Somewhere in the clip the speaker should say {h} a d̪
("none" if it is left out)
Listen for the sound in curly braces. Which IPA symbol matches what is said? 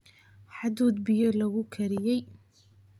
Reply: ħ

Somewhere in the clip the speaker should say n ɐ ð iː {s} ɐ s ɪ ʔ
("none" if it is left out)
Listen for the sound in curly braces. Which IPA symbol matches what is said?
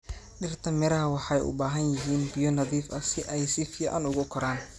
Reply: f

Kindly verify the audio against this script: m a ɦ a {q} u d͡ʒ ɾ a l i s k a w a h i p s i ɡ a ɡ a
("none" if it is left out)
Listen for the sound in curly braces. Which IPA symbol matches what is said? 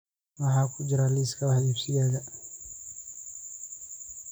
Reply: k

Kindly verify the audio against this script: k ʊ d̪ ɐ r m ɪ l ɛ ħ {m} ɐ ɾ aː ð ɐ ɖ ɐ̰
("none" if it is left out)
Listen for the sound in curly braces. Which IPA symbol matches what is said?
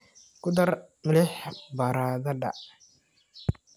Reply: b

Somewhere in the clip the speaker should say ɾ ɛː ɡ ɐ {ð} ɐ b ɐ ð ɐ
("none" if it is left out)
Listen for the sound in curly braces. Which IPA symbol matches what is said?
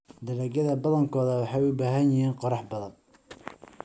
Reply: ð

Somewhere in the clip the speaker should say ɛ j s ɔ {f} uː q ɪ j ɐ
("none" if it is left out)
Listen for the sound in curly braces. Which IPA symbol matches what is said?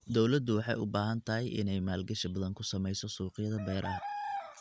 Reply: s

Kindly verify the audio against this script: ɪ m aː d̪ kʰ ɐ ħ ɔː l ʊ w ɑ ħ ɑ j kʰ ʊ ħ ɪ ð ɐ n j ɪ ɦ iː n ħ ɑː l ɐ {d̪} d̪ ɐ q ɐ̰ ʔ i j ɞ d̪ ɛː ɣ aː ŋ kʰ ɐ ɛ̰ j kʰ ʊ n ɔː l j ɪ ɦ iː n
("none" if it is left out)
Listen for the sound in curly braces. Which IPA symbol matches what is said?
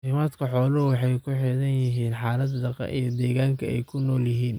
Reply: d̪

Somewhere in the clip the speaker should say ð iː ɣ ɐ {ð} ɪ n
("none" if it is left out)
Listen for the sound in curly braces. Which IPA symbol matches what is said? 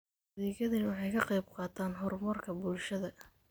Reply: ð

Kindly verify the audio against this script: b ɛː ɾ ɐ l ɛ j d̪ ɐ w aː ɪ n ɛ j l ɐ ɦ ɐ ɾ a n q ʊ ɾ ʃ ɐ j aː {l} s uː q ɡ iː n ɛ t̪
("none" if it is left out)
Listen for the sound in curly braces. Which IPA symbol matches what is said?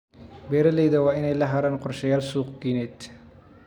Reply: l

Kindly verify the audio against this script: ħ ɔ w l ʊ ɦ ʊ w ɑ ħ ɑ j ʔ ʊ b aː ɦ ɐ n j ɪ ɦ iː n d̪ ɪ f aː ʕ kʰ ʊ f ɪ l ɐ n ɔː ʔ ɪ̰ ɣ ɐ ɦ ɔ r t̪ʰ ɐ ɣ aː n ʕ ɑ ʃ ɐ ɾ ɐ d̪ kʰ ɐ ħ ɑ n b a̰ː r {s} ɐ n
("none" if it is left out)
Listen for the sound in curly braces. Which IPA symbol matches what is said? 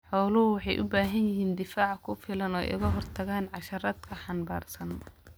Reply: s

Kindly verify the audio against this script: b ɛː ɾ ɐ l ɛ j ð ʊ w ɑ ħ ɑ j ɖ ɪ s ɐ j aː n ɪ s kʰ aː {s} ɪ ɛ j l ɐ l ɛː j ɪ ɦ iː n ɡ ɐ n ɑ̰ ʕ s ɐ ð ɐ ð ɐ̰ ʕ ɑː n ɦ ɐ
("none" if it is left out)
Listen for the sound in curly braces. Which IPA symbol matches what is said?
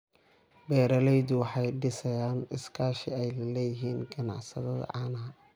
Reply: ʃ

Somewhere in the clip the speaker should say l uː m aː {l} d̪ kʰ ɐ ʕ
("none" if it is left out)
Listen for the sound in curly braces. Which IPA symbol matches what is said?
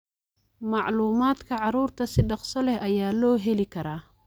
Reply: none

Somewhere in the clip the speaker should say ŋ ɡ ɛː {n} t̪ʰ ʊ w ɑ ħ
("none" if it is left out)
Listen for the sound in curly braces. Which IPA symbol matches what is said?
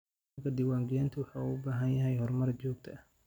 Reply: n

